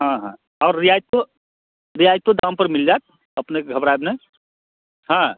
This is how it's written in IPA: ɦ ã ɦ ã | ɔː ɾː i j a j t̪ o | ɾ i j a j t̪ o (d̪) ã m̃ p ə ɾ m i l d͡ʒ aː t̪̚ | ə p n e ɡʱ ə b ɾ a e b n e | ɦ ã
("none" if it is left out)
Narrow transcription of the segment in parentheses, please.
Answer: d̪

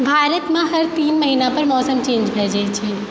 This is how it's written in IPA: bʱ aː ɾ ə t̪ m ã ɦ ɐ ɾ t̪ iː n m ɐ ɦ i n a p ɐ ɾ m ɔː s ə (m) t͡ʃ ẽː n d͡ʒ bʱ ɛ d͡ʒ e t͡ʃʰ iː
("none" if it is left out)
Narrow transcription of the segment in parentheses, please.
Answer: m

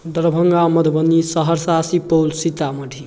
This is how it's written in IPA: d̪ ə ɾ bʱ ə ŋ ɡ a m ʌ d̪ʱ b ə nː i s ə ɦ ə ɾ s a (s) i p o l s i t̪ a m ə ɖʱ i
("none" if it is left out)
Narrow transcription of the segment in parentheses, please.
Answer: s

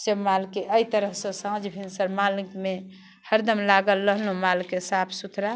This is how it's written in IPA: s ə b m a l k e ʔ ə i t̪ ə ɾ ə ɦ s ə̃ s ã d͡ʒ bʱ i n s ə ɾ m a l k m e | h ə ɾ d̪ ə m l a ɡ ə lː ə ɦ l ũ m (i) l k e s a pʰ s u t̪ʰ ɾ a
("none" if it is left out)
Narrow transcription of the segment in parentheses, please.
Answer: a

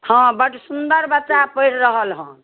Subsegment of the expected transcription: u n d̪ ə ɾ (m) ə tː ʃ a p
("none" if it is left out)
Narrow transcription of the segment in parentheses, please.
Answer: b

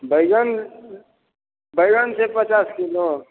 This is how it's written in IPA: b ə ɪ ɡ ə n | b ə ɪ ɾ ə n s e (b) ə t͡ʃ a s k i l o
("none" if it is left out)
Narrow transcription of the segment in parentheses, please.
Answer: p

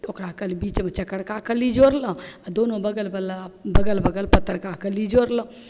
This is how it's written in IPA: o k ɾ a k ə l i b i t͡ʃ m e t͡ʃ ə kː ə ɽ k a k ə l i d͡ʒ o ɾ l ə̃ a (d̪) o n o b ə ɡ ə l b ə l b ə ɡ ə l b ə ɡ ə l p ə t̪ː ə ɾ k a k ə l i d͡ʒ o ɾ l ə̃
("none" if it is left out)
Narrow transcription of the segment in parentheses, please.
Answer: d̪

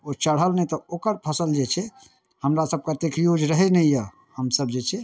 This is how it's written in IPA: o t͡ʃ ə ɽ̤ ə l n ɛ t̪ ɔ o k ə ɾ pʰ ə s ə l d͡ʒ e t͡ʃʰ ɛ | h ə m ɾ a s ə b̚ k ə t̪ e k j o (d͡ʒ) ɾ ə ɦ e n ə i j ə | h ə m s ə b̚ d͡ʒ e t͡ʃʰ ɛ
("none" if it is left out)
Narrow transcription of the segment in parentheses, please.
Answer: d͡ʒ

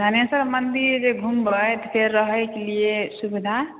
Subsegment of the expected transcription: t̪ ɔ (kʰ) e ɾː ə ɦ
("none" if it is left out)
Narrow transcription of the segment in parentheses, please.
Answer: pʰ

